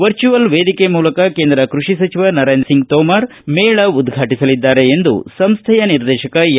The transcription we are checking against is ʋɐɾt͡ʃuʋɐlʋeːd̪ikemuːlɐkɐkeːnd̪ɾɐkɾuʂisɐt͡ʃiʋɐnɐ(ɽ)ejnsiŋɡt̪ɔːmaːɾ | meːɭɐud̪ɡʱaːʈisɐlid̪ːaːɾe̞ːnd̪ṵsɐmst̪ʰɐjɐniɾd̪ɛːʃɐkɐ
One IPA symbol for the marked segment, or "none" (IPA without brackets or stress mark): ɾ